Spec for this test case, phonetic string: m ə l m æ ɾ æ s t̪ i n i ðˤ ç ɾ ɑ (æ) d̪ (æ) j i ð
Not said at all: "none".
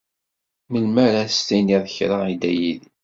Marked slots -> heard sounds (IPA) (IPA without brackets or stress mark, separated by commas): i, æ